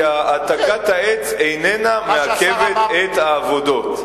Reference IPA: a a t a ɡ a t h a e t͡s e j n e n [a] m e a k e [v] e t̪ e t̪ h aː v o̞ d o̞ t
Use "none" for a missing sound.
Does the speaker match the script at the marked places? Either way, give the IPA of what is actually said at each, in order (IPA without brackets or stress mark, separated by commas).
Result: a, v